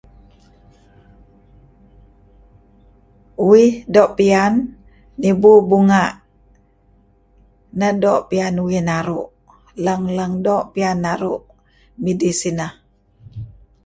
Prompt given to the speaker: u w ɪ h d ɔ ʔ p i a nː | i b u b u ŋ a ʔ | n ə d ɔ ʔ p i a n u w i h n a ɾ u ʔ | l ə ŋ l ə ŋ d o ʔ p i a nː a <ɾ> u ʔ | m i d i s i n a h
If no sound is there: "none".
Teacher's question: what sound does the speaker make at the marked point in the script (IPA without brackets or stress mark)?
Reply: ɾ